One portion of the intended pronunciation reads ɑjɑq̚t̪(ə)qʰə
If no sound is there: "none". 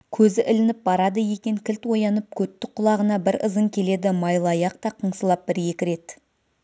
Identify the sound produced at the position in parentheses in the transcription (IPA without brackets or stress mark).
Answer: ɑ